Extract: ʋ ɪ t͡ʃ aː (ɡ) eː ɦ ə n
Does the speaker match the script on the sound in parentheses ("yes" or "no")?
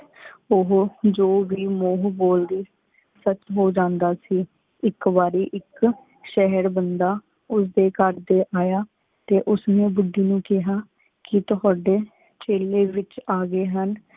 yes